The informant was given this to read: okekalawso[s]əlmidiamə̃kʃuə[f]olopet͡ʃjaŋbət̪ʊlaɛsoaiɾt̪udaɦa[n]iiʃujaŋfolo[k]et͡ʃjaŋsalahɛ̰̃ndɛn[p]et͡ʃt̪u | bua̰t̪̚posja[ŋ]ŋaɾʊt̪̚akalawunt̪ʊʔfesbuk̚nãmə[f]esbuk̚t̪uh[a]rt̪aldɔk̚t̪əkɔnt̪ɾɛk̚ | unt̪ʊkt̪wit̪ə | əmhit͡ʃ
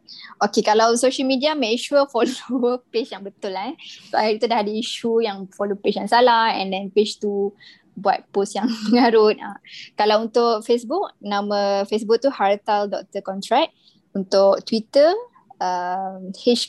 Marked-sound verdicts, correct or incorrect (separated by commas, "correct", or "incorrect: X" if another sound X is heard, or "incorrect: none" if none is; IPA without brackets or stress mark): incorrect: ʃ, correct, incorrect: d, incorrect: p, correct, correct, correct, correct